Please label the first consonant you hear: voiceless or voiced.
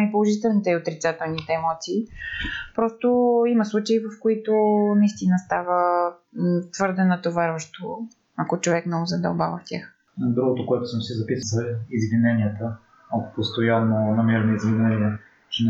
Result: voiceless